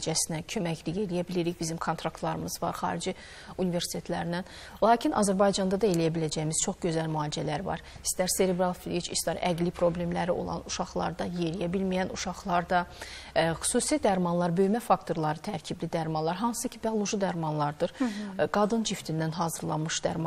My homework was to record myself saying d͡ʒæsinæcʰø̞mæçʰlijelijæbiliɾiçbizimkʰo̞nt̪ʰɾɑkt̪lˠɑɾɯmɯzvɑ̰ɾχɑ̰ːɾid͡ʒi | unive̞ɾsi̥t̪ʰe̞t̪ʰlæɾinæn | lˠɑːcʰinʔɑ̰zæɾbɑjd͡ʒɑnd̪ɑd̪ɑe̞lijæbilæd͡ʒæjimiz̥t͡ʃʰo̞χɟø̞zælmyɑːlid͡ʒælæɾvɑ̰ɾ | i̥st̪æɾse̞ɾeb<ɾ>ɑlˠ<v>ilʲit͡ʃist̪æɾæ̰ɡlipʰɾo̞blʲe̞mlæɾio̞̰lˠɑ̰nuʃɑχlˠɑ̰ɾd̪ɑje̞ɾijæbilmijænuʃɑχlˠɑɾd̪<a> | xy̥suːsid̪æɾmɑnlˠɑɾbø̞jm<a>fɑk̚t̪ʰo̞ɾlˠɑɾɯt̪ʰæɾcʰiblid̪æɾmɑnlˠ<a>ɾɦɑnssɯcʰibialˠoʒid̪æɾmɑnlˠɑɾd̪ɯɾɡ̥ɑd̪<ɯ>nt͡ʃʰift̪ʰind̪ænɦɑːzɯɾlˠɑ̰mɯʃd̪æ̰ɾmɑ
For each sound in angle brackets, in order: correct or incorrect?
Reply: correct, incorrect: f, incorrect: ɑ, incorrect: æ, incorrect: ɑ, correct

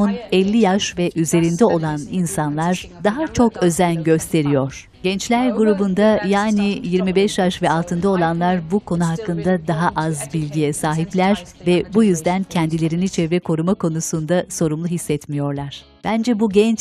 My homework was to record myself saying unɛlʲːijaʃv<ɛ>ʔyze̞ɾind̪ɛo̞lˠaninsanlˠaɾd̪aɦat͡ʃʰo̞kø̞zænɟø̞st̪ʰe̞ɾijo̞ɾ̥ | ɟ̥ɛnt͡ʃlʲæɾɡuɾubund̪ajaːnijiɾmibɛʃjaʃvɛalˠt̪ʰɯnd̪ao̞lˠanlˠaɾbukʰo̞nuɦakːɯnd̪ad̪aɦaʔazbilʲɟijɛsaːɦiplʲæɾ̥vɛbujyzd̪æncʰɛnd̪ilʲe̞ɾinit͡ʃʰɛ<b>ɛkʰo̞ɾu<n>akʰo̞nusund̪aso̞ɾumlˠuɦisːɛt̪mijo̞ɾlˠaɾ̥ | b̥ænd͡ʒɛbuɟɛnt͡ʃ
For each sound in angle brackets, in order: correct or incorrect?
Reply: correct, incorrect: v, incorrect: m

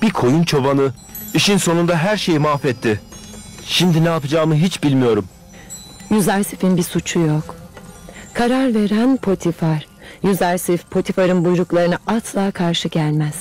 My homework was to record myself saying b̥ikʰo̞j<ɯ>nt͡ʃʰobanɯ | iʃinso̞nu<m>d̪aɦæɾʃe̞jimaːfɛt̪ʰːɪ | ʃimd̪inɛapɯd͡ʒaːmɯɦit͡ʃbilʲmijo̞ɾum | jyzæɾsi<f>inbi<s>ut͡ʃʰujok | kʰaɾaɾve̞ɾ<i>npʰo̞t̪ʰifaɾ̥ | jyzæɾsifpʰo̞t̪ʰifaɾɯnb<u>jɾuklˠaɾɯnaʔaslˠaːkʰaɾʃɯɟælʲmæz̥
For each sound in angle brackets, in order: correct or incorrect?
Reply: incorrect: u, incorrect: n, correct, correct, incorrect: æ, correct

